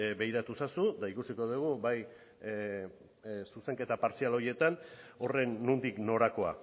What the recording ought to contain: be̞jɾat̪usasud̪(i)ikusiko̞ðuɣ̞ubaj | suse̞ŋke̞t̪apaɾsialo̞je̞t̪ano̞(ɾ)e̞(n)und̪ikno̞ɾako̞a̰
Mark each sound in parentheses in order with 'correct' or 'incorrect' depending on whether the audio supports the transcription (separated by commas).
incorrect, incorrect, incorrect